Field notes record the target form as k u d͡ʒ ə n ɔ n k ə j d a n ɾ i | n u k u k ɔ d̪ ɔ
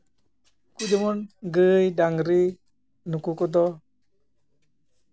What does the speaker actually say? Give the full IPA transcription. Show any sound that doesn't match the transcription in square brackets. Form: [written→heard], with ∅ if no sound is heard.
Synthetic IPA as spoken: k u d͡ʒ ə [n→m] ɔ n [k→ɡ] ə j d a [n→ŋ] ɾ i | n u k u k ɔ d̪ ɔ